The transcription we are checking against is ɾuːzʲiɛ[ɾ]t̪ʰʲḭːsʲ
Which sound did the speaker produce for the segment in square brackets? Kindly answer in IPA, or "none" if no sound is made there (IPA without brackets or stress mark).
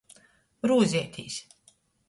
none